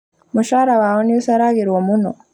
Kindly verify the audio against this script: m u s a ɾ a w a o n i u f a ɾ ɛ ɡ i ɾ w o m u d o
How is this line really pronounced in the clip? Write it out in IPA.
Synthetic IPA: m u ʃ a ɾ a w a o n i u s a ɾ a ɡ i ɾ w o m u n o